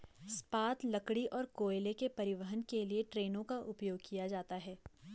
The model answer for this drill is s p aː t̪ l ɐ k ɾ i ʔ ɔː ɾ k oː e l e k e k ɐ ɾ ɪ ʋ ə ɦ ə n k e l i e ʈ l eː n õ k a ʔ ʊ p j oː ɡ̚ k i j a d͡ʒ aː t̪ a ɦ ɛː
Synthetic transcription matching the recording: s p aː t̪ l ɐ k ɽ i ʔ ɔː ɾ k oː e l e k e p ɐ ɾ ɪ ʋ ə ɦ ə n k e l i e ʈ ɾ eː n õ k a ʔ ʊ p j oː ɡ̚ k i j a d͡ʒ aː t̪ a ɦ ɛː